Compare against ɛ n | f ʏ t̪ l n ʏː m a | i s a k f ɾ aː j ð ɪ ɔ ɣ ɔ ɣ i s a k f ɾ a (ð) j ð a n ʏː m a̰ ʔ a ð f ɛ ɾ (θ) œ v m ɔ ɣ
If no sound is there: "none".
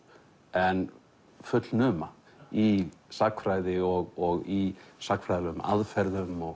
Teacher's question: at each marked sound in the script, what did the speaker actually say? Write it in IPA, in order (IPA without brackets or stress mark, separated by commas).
none, ð